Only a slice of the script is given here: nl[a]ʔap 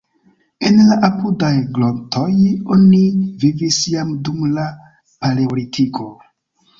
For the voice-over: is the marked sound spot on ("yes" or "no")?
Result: yes